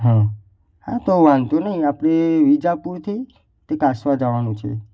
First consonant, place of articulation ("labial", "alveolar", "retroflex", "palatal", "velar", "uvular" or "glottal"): glottal